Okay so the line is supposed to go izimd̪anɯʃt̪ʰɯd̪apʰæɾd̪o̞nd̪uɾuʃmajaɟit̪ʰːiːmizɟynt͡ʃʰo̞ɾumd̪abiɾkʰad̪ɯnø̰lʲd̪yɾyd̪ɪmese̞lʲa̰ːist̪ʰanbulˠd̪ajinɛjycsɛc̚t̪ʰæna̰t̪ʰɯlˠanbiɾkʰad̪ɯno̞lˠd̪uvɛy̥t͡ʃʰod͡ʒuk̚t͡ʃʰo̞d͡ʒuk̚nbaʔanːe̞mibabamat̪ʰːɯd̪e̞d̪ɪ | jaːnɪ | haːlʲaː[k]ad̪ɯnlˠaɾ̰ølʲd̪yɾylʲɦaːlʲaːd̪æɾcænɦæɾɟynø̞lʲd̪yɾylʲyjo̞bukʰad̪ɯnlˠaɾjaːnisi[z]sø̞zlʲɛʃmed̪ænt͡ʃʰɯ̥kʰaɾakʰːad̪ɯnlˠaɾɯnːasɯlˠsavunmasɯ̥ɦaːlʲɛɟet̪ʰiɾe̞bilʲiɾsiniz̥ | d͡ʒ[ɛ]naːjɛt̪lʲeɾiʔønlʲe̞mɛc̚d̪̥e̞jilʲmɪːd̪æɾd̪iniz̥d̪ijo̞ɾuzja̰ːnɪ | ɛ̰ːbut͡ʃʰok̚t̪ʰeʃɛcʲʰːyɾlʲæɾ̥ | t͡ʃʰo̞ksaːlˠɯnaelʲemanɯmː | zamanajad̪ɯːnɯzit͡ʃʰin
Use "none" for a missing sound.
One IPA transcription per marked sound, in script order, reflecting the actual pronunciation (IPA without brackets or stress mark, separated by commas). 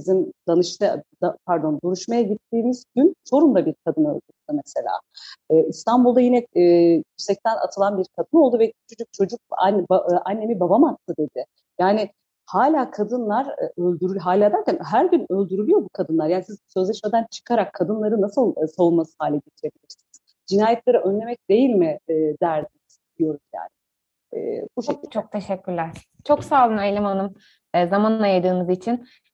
kʰ, z, i